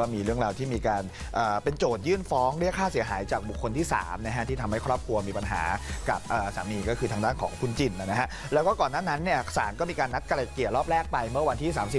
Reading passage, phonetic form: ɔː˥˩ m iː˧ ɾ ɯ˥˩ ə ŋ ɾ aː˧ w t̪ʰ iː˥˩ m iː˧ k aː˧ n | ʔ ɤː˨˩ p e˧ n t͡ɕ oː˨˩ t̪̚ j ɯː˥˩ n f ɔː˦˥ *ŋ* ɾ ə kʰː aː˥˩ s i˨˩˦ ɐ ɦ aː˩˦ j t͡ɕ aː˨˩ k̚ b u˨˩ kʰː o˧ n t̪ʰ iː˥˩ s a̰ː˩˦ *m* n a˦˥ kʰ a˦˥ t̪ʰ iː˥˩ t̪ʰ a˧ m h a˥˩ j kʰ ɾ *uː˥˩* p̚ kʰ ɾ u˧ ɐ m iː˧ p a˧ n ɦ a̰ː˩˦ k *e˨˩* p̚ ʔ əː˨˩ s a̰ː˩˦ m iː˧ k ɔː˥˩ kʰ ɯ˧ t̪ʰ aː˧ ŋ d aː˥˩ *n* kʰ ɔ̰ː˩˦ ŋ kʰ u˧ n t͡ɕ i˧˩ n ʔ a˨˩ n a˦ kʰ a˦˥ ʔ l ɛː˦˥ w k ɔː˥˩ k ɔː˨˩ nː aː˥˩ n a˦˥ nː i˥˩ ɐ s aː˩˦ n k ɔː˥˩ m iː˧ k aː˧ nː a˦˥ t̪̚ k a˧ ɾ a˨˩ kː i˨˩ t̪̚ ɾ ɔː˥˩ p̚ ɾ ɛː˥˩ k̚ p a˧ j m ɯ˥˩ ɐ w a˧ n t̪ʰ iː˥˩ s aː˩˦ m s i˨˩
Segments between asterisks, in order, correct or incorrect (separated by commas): correct, correct, incorrect, incorrect, correct